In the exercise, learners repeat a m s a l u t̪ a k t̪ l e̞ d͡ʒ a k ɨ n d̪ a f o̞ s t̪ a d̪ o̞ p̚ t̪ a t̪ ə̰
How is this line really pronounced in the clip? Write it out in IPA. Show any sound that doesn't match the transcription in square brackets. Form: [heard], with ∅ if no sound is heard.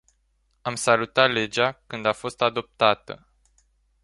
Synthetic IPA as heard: a m s a l u t̪ a [∅] t̪ l e̞ d͡ʒ a k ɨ n d̪ a f o̞ s t̪ a d̪ o̞ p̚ t̪ a t̪ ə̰